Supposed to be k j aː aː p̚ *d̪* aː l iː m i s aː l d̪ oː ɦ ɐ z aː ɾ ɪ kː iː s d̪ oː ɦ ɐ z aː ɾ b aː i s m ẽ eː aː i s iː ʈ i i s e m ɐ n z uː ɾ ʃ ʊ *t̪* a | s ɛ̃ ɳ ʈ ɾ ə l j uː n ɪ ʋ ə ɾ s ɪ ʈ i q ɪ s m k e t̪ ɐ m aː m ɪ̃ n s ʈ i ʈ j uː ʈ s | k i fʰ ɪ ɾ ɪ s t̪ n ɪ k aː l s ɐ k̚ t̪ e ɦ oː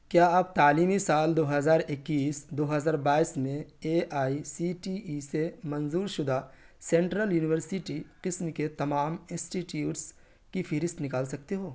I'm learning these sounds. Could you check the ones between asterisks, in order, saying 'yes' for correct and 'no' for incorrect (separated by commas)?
no, no